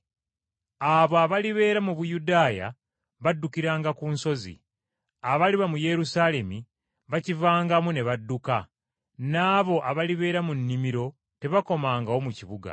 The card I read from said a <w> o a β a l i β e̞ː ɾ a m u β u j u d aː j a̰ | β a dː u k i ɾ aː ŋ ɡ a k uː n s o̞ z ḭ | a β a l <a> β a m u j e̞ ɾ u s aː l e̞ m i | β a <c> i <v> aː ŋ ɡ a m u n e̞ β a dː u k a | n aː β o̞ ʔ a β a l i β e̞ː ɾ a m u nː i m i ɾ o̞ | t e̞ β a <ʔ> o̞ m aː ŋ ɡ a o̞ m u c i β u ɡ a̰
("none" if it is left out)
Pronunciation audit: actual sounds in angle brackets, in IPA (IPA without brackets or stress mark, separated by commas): β, i, c, v, k